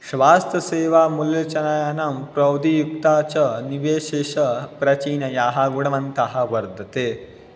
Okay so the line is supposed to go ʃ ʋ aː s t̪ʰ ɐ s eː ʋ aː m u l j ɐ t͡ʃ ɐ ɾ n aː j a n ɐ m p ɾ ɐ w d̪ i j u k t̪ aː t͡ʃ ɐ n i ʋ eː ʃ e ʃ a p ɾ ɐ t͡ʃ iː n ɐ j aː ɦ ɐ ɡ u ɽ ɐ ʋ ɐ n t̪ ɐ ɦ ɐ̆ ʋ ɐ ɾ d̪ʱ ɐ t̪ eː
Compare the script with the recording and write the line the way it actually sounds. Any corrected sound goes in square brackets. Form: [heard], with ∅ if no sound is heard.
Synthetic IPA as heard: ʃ ʋ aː s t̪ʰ ɐ s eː ʋ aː m u l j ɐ t͡ʃ ɐ [∅] n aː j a n ɐ m p ɾ ɐ w d̪ i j u k t̪ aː t͡ʃ ɐ n i ʋ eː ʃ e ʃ [ɐ] p ɾ ɐ t͡ʃ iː n ɐ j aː ɦ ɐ ɡ u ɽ ɐ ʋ ɐ n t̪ ɐ ɦ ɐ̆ ʋ ɐ ɾ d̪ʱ ɐ t̪ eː